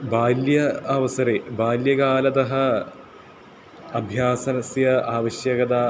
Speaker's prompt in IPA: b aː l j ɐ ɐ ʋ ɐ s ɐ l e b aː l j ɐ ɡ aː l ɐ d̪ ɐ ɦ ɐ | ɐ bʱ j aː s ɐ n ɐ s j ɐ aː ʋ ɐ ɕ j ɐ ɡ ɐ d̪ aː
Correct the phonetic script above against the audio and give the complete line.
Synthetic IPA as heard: b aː l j ɐ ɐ ʋ ɐ s ɐ ɾ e b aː l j ɐ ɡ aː l ɐ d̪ ɐ ɦ ɐ | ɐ bʱ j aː s ɐ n ɐ s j ɐ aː ʋ ɐ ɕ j ɐ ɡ ɐ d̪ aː